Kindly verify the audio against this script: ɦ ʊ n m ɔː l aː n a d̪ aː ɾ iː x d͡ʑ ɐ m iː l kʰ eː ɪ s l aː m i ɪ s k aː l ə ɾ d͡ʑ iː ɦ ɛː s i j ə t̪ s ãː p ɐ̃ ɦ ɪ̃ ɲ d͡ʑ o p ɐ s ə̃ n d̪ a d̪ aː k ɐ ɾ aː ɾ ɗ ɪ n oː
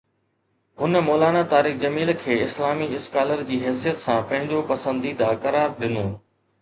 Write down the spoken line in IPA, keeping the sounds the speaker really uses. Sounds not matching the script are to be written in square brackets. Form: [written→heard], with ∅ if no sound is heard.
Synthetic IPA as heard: ɦ ʊ n m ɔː l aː n a [d̪→t̪] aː ɾ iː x d͡ʑ ɐ m iː l kʰ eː ɪ s l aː m i ɪ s k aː l ə ɾ d͡ʑ iː ɦ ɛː s i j ə t̪ s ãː p ɐ̃ ɦ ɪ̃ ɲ d͡ʑ o p ɐ s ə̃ n d̪ [a→i] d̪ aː k ɐ ɾ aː ɾ ɗ ɪ n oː

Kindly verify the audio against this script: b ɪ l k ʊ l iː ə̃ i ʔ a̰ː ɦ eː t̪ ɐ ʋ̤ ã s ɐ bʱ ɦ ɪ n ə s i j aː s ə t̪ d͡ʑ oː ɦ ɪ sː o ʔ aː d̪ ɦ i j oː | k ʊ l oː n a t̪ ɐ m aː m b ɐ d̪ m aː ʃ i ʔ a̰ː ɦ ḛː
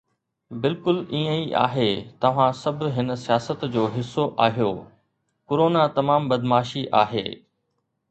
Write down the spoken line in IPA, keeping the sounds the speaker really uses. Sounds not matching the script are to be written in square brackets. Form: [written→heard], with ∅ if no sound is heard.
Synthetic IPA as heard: b ɪ l k ʊ l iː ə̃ i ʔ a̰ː ɦ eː t̪ ɐ ʋ̤ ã s ɐ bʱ ɦ ɪ n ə s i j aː s ə t̪ d͡ʑ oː ɦ ɪ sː o ʔ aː [d̪→∅] ɦ i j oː | k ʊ [l→ɾ] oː n a t̪ ɐ m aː m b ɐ d̪ m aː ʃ i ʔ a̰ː ɦ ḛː

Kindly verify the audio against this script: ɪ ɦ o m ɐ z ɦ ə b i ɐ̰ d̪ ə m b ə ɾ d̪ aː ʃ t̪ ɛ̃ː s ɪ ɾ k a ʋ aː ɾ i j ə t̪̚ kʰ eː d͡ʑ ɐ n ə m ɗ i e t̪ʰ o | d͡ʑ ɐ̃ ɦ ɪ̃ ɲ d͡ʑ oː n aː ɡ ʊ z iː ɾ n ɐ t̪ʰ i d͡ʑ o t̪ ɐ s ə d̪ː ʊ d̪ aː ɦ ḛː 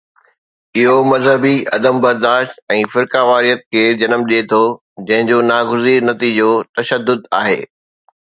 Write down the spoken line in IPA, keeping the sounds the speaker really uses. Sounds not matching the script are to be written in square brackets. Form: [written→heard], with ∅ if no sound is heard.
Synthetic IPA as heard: ɪ ɦ o m ɐ z ɦ ə b i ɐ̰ d̪ ə m b [ə→ɐ] ɾ d̪ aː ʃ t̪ ɛ̃ː [s→f] ɪ ɾ k a ʋ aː ɾ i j ə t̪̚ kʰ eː d͡ʑ ɐ n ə m ɗ i e t̪ʰ o | d͡ʑ ɐ̃ ɦ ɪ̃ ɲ d͡ʑ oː n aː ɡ ʊ z iː ɾ n ɐ [t̪ʰ→t̪] i d͡ʑ o t̪ ɐ [s→ʃ] ə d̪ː ʊ d̪ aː ɦ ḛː

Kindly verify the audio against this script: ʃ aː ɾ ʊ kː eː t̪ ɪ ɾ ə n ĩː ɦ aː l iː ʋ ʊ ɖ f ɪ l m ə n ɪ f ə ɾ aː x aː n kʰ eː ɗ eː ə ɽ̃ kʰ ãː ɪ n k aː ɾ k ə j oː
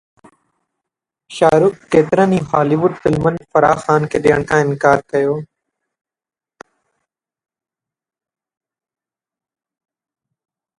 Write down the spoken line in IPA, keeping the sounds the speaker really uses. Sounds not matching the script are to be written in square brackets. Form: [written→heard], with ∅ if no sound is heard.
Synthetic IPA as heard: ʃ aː ɾ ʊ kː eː t̪ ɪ ɾ ə n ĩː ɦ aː l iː ʋ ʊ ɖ f ɪ l m ə n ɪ f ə ɾ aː x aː n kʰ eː ɗ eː ə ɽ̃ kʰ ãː ɪ n k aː ɾ k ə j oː

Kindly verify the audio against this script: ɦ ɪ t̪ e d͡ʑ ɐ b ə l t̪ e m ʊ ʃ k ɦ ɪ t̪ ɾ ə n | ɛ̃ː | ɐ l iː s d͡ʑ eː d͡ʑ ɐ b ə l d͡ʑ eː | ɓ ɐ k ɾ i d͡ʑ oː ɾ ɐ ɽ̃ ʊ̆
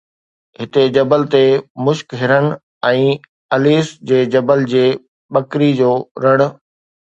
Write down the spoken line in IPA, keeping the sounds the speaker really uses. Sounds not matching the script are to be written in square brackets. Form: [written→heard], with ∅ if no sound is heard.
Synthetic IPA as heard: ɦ ɪ t̪ e d͡ʑ ɐ b ə l t̪ e m ʊ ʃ k ɦ ɪ [t̪→∅] ɾ ə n | ɛ̃ː | ɐ l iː s d͡ʑ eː d͡ʑ ɐ b ə l d͡ʑ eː | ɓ ɐ k ɾ i d͡ʑ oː ɾ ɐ ɽ̃ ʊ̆

